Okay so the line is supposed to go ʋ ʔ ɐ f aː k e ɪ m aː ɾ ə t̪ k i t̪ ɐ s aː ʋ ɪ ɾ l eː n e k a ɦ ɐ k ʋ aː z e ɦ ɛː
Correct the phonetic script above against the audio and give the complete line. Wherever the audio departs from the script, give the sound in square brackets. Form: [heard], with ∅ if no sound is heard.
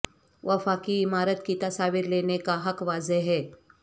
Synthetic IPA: ʋ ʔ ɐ f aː k [i] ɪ m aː ɾ ə t̪ k i t̪ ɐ s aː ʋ ɪ ɾ l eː n e k a ɦ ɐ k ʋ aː z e ɦ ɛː